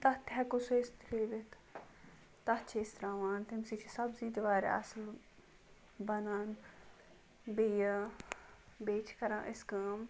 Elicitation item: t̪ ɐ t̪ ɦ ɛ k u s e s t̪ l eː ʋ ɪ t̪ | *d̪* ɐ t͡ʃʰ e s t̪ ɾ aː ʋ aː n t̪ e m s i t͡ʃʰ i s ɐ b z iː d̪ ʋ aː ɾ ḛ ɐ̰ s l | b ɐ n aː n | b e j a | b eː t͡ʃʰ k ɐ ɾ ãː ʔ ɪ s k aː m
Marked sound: incorrect: t̪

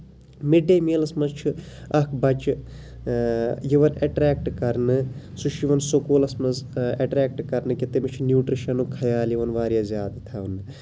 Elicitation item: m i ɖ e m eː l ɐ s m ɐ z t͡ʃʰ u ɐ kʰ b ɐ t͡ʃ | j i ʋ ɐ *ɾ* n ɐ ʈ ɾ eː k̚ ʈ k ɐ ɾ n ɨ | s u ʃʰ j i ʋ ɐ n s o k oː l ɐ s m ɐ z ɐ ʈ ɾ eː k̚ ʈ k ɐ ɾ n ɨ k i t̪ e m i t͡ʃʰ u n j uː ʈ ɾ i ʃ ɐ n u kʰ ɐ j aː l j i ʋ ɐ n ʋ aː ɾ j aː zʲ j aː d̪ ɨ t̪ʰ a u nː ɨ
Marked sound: incorrect: none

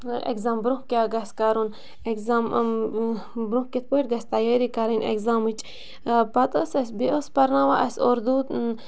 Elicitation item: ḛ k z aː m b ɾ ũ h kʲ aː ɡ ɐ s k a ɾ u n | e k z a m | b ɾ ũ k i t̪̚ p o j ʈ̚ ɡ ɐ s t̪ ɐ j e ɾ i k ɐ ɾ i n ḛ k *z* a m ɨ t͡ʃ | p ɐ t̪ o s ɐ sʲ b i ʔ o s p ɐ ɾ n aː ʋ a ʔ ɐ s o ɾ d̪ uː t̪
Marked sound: correct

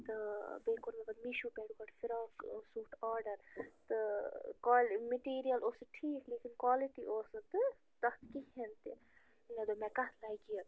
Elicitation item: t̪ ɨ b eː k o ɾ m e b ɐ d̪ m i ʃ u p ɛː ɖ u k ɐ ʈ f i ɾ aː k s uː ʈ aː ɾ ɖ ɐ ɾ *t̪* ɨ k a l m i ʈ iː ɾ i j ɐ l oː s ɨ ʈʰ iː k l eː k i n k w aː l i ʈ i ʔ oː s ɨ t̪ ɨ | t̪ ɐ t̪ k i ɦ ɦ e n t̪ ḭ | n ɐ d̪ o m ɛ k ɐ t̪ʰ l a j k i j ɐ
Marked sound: correct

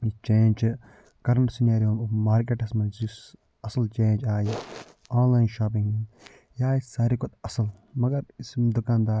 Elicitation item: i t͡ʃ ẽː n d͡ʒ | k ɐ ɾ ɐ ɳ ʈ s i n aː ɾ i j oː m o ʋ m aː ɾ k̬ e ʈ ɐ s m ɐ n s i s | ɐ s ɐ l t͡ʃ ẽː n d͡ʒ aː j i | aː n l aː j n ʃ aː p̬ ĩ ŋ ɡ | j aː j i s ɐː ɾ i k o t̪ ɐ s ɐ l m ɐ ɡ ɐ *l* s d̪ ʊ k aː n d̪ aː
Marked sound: incorrect: ɾ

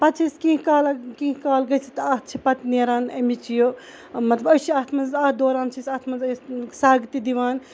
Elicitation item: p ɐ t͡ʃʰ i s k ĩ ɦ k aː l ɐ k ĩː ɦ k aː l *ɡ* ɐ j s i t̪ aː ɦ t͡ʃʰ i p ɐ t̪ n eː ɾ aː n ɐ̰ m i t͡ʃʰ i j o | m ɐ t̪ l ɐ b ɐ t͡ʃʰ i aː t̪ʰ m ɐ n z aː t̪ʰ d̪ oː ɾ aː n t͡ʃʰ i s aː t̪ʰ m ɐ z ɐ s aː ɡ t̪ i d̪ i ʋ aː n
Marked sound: correct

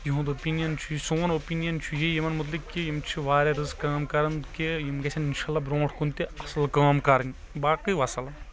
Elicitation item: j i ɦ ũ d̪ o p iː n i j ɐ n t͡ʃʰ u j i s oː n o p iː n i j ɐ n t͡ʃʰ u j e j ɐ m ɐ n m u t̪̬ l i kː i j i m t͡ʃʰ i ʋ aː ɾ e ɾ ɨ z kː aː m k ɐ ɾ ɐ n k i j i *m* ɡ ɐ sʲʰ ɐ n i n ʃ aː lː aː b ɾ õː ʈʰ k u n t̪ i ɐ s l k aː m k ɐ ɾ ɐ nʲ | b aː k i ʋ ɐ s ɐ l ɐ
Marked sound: correct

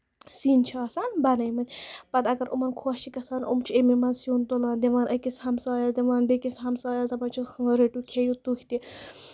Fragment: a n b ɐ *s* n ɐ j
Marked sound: incorrect: none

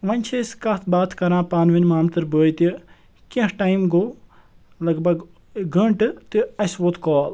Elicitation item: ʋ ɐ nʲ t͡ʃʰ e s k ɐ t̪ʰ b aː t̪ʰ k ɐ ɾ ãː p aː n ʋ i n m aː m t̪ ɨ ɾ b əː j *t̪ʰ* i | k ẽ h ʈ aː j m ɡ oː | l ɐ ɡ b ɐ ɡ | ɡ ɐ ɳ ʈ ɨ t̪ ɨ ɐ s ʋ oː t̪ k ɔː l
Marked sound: incorrect: t̪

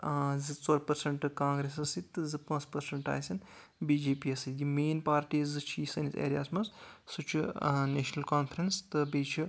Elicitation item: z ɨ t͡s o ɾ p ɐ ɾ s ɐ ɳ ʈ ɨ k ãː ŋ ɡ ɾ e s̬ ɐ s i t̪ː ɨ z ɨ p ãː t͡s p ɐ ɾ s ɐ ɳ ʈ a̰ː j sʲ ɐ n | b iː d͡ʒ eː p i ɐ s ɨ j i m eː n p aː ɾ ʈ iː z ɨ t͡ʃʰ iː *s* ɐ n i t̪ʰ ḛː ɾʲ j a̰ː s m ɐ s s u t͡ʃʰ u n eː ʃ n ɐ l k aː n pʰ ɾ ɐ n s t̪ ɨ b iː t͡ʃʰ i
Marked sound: correct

